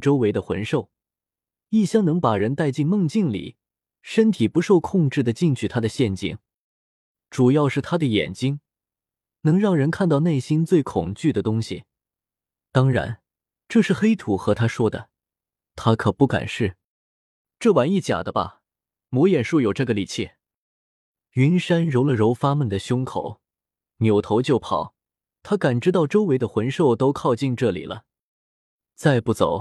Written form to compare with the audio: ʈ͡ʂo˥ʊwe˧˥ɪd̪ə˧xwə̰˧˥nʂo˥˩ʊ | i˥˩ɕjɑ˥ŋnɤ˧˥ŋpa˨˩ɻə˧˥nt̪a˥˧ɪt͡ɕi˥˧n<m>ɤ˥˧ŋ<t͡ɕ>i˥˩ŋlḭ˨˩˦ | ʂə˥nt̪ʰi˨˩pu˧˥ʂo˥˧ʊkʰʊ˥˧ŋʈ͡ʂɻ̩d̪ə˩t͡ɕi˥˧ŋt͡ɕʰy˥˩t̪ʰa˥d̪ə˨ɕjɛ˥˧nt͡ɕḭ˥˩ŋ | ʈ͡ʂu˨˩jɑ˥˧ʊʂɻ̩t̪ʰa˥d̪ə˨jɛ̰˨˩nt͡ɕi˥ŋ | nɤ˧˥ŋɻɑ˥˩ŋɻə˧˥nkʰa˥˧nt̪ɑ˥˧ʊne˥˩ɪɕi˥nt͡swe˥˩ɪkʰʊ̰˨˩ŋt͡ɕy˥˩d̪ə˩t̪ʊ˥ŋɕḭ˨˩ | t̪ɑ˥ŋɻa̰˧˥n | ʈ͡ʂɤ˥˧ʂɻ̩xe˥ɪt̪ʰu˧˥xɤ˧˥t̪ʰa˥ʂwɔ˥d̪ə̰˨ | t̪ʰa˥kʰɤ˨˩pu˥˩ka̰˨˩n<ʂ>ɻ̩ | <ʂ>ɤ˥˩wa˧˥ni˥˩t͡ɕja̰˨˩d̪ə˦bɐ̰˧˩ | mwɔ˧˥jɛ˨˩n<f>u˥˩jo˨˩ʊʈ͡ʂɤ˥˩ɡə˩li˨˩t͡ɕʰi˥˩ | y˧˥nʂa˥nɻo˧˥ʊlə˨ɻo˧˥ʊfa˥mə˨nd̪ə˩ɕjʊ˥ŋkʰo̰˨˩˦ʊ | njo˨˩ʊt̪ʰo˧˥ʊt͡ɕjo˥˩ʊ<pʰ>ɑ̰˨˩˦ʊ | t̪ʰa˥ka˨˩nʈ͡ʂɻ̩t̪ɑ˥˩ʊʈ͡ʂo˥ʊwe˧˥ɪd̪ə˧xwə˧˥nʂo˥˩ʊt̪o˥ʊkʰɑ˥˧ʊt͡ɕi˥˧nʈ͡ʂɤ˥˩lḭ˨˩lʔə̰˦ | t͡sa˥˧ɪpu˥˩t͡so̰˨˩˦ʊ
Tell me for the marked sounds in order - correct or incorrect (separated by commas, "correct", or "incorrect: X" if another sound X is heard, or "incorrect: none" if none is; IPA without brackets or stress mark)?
correct, correct, correct, incorrect: ʈ͡ʂ, incorrect: ʂ, correct